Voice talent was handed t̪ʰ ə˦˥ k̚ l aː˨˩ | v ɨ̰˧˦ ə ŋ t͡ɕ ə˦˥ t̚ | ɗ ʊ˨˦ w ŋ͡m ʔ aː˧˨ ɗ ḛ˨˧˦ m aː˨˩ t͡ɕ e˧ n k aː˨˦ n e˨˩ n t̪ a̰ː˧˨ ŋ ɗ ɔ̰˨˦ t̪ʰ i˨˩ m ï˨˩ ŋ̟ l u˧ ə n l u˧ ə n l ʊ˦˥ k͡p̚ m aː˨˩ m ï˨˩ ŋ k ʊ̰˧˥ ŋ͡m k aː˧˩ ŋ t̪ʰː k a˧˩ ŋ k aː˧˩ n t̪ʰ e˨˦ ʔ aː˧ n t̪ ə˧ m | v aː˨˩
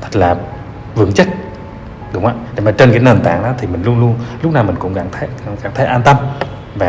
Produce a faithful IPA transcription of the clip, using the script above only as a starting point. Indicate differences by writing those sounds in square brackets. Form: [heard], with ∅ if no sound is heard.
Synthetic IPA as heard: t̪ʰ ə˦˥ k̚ l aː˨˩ | v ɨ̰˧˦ ə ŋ t͡ɕ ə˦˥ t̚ | ɗ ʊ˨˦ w ŋ͡m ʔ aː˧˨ ɗ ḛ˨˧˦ m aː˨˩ t͡ɕ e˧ n k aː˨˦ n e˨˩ n t̪ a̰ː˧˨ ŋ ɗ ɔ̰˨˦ t̪ʰ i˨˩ m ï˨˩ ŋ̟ l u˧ ə n l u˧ ə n l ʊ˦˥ k͡p̚ [n] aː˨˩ m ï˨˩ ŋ k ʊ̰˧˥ ŋ͡m k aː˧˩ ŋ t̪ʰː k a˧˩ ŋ k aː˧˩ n t̪ʰ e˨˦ ʔ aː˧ n t̪ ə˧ m | v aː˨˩